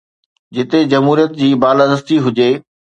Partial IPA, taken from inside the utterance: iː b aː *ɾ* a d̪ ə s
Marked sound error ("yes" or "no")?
yes